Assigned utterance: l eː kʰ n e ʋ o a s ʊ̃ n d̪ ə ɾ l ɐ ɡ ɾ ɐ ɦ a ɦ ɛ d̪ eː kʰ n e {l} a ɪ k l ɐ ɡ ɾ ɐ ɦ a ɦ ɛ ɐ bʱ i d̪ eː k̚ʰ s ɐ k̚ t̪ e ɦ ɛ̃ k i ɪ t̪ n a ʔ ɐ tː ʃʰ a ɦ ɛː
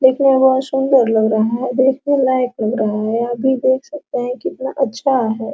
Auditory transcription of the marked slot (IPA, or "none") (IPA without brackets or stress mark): l